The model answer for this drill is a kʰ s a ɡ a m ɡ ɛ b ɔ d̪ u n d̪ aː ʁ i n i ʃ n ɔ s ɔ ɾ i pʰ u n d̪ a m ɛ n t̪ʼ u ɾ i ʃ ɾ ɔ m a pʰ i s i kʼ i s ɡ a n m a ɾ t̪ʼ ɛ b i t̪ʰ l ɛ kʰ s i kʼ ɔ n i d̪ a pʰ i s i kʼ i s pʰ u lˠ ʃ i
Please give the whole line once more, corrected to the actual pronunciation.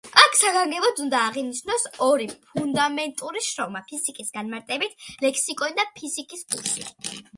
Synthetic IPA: a kʰ s a ɡ a ŋ ɡ ɛ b ɔ d̪ u n d̪ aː ʁ i n i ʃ n ɔ s ɔ ɾ i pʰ u n d̪ a m ɛ n t̪ʼ u ɾ i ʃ ɾ ɔ m a pʰ i s i kʼ i s ɡ a n m a ɾ t̪ʼ ɛ b i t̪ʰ l ɛ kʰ s i kʼ ɔ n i d̪ a pʰ i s i kʼ i s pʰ u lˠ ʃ i